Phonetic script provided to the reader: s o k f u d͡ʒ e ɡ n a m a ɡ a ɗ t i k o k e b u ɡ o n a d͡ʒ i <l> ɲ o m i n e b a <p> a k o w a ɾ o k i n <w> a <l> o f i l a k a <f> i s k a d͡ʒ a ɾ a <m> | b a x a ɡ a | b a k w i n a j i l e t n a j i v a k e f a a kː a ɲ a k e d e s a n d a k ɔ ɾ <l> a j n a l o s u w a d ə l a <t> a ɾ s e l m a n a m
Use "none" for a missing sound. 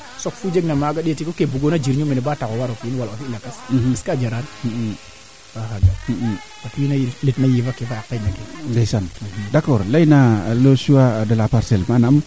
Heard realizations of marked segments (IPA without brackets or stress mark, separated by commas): ɾ, t, w, l, s, n, l, p